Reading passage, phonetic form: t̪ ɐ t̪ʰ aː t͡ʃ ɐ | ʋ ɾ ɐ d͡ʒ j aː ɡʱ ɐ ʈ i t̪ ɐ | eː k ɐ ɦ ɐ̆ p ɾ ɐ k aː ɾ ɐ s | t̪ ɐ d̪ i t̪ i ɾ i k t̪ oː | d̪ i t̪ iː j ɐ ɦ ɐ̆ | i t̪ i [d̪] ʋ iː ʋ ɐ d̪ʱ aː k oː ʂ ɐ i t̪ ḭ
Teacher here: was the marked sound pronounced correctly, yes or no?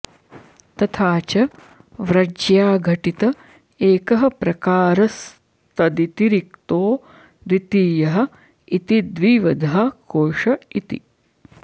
yes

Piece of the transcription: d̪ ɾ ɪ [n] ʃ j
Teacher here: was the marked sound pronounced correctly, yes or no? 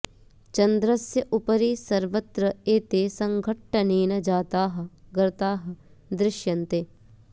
no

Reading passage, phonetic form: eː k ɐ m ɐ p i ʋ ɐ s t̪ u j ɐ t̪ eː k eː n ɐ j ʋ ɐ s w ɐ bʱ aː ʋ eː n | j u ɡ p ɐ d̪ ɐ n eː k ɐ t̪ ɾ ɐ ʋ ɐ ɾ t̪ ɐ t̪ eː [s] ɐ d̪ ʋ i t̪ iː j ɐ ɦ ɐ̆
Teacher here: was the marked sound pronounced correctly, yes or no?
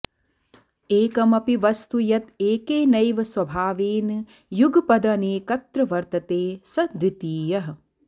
yes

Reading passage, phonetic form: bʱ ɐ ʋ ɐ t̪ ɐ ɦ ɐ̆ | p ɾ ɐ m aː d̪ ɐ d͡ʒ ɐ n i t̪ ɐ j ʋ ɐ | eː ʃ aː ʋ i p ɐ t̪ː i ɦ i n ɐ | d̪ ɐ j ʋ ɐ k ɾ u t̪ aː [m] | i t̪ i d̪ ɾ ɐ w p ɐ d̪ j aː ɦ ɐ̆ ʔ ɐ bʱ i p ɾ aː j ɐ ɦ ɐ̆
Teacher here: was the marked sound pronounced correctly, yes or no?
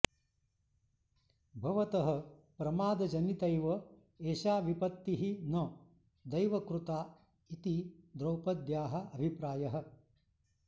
no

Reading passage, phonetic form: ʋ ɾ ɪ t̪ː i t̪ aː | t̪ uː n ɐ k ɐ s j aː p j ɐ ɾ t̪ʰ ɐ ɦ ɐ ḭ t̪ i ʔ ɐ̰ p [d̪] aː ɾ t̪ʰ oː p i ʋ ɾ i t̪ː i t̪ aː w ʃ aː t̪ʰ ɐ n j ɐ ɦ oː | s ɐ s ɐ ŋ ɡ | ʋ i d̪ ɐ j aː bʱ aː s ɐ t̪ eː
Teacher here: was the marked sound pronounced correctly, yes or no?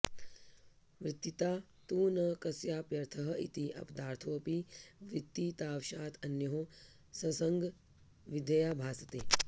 yes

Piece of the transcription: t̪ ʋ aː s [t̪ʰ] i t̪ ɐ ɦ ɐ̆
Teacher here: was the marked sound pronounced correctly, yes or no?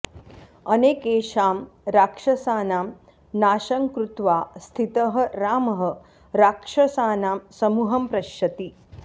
yes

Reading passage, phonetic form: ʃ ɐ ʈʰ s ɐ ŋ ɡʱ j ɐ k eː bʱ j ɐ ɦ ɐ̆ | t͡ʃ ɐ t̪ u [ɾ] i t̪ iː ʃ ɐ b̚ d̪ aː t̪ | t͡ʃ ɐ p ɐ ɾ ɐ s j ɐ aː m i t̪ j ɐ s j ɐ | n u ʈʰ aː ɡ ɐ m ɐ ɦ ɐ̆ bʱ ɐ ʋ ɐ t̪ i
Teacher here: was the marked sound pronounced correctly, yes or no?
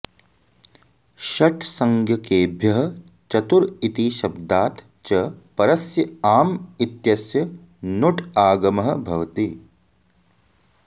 yes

